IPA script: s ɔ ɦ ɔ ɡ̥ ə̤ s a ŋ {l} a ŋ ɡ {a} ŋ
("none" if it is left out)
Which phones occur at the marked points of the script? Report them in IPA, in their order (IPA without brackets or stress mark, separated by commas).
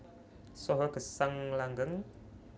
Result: l, ə